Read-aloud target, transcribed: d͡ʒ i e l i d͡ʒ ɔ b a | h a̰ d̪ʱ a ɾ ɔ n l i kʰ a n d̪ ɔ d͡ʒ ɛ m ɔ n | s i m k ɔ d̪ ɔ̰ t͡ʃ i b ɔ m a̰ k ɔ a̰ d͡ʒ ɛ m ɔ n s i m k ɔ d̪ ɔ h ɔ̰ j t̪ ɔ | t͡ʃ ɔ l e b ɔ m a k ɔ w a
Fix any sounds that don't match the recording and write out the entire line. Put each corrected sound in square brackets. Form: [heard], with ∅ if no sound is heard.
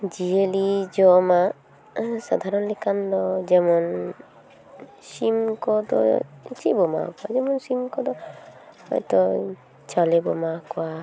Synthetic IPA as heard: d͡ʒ i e l i d͡ʒ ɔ [m] a | [s] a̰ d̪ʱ a ɾ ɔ n l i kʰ a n d̪ ɔ d͡ʒ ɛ m ɔ n | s i m k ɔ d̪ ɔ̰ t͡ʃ i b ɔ m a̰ k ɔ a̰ d͡ʒ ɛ m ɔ n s i m k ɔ d̪ ɔ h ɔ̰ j t̪ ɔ | t͡ʃ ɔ l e b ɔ m a k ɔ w a